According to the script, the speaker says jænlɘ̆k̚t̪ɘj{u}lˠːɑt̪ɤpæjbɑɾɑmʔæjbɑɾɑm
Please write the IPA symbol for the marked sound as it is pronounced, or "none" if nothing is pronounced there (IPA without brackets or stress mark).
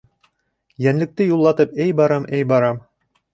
u